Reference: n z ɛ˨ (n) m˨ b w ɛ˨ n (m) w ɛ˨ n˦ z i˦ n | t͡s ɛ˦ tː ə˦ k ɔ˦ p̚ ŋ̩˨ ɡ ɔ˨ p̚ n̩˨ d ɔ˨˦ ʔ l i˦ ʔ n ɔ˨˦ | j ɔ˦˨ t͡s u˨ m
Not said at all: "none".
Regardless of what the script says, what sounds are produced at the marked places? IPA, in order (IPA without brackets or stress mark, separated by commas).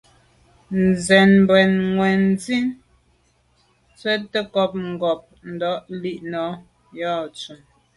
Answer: n, ŋ